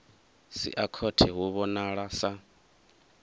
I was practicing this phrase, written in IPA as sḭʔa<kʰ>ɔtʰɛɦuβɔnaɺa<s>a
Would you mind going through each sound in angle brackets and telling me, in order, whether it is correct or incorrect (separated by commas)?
correct, correct